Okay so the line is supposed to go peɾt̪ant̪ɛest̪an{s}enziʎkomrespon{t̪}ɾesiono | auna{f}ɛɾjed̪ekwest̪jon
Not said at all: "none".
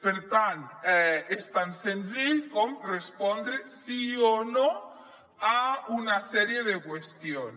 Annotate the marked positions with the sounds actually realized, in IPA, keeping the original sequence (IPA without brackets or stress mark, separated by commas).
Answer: s, d̪, s